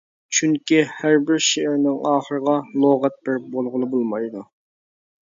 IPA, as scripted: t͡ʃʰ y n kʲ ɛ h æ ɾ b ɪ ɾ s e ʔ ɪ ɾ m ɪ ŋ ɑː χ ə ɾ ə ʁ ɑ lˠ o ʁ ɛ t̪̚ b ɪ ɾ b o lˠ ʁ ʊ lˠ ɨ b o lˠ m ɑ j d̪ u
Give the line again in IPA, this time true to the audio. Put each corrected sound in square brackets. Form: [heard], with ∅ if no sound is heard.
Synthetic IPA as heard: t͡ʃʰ y [ŋ] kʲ [i] h æ ɾ b ɪ ɾ [ʃ] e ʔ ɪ ɾ [n] ɪ ŋ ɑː χ ə ɾ ə ʁ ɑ lˠ o ʁ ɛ t̪̚ b ɪ ɾ b o lˠ ʁ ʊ lˠ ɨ b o lˠ m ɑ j d̪ u